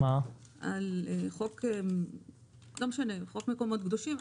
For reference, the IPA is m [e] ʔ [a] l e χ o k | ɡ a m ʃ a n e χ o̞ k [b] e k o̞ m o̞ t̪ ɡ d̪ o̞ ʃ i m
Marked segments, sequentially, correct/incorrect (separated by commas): incorrect, correct, incorrect